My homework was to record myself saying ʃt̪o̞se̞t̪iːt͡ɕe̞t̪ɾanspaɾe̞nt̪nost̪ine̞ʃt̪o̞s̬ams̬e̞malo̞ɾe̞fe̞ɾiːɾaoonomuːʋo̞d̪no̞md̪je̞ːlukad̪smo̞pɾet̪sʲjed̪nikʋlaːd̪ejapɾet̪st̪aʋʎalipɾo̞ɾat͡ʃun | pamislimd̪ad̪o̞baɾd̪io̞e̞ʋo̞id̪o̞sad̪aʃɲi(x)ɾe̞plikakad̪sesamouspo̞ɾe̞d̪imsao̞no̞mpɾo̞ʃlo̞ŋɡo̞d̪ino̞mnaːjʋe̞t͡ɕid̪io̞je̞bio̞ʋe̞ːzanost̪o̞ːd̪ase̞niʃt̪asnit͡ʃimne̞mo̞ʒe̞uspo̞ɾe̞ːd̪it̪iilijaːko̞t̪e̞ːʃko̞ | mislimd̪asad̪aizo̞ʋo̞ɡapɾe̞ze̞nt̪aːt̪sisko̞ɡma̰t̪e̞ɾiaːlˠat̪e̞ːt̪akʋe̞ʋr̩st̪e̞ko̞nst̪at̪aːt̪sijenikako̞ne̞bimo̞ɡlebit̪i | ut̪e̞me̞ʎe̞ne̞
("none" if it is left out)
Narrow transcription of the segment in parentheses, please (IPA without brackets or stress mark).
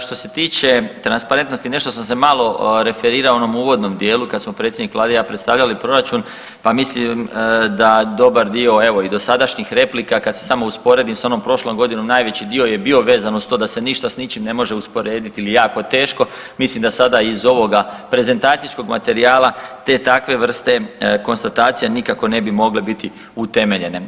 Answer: x